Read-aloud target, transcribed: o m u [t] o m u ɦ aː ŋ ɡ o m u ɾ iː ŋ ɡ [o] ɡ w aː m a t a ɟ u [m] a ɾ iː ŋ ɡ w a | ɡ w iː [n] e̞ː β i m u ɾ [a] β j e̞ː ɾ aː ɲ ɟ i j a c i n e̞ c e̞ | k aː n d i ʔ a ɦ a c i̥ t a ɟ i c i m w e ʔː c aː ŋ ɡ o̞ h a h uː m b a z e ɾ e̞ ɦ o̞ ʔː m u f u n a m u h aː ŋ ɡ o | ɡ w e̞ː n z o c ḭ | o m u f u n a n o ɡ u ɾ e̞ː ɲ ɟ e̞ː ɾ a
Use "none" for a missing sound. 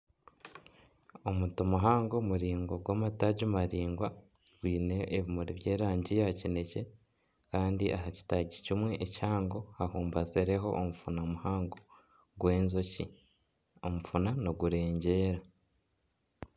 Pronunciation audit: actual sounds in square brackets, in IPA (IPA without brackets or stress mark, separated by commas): t, o, m, n, i